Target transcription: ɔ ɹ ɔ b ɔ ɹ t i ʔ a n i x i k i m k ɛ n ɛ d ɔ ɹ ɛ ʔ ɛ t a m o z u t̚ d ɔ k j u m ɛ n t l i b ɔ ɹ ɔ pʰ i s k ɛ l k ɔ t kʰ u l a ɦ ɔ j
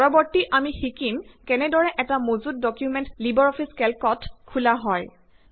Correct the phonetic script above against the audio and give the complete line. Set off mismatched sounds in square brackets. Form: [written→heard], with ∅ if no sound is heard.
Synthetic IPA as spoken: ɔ ɹ ɔ b ɔ ɹ t i ʔ a [n→m] i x i k i m k ɛ n ɛ d ɔ ɹ ɛ ʔ ɛ t a m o z u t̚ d ɔ k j u m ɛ n t l i b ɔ ɹ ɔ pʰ i s k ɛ l k ɔ t kʰ u l a ɦ ɔ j

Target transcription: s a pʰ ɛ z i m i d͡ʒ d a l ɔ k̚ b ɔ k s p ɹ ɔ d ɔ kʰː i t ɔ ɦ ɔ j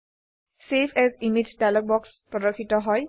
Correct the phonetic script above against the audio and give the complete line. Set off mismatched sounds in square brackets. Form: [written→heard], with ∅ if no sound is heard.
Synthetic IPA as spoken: s [a→e] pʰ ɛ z i m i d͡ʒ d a l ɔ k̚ b ɔ k s p ɹ ɔ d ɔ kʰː i t ɔ ɦ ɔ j

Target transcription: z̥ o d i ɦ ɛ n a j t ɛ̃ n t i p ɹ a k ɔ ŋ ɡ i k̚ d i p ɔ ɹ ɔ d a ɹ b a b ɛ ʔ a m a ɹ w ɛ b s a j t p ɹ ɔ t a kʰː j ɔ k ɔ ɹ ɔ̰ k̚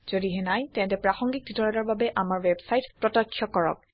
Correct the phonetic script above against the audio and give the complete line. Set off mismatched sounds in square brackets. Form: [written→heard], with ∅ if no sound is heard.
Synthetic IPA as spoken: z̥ o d i ɦ ɛ n a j t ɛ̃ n t [i→ɛ] p ɹ a [k→x] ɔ ŋ ɡ i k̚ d i [p→t] ɔ ɹ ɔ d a ɹ b a b ɛ ʔ a m a ɹ w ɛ b s a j t p ɹ ɔ t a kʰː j ɔ k ɔ ɹ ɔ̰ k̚

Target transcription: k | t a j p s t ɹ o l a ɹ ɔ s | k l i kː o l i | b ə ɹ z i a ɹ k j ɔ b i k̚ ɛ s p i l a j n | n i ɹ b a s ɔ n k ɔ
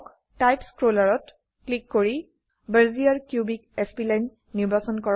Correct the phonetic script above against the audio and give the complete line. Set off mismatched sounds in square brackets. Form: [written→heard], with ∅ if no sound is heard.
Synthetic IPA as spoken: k | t a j p s [t→k] ɹ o l a ɹ ɔ [s→t] | k l i kː o [l→ɹ] i | b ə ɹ z i a ɹ k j [ɔ→u] b i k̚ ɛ s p i l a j n | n i ɹ b a s ɔ n k ɔ

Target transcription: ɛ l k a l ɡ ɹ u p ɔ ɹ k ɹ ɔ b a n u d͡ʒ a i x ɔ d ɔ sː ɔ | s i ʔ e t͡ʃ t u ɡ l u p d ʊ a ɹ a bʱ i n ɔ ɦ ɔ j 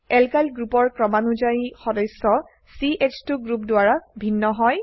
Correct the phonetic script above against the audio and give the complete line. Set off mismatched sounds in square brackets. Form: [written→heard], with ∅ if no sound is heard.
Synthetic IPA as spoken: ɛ l k a l ɡ ɹ u p ɔ ɹ k ɹ ɔ [b→m] a n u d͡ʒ a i x ɔ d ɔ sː ɔ | s i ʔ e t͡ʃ t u ɡ [l→ɹ] u p d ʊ a ɹ a bʱ i [n→nː] ɔ ɦ ɔ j

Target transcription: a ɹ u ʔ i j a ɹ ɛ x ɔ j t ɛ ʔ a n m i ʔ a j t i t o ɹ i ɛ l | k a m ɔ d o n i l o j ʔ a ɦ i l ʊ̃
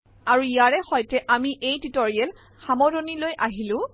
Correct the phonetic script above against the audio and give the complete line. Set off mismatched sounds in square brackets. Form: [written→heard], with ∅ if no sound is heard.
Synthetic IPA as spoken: a ɹ u [ʔ→∅] i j a ɹ ɛ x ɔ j t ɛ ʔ a [n→∅] m i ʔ [a→e] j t i t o ɹ i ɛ l | [k→x] a m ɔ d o n i l o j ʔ a ɦ i l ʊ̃

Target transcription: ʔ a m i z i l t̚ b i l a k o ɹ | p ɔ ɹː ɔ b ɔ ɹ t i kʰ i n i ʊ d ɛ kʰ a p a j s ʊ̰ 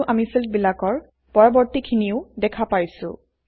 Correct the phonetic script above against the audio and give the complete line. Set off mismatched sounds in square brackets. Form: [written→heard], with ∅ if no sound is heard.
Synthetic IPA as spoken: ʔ a m i [z→s] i l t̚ b i l a k [o→ɔ] ɹ | p ɔ [ɹː→ɹ] ɔ b ɔ ɹ t i kʰ i n i ʊ d ɛ kʰ a p a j s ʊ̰

